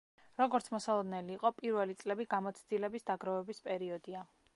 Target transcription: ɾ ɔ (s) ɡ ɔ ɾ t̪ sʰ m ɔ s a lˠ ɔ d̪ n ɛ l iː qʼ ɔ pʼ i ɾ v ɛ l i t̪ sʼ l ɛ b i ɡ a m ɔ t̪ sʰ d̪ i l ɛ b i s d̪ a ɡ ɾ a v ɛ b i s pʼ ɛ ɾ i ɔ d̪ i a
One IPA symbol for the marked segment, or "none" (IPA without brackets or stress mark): none